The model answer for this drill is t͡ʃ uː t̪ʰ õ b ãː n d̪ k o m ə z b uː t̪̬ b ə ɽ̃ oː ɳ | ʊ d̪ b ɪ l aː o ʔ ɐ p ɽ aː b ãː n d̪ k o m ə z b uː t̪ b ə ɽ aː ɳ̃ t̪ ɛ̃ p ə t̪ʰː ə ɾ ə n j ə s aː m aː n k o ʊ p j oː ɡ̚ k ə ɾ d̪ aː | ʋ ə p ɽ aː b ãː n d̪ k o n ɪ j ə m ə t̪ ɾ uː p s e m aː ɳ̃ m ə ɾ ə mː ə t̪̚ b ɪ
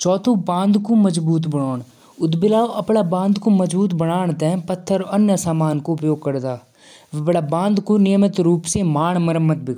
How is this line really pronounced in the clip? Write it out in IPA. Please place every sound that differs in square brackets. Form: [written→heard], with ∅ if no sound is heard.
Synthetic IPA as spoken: t͡ʃ [uː→ɔː] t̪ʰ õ b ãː n d̪ k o m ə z b uː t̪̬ b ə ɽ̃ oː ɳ | ʊ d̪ b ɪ l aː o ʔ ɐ p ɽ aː b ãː n d̪ k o m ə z b uː t̪ b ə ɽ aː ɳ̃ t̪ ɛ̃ p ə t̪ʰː ə ɾ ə n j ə s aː m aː n k o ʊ p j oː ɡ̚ k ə ɾ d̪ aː | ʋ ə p ɽ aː b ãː n d̪ k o n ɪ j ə m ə t̪ ɾ uː p s e m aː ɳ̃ m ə ɾ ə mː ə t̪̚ b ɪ